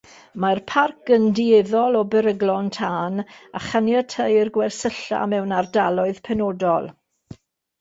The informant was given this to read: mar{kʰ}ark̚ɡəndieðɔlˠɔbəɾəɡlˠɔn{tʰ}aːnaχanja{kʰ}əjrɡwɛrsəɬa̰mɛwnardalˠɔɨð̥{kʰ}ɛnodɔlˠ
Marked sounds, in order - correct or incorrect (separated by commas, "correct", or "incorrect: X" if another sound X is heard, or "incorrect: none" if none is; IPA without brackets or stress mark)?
incorrect: pʰ, correct, incorrect: tʰ, incorrect: pʰ